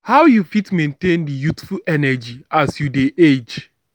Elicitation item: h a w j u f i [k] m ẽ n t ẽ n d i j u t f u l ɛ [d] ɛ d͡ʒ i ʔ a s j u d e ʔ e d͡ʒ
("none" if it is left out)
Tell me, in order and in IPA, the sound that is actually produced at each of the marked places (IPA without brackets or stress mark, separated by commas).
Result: t, n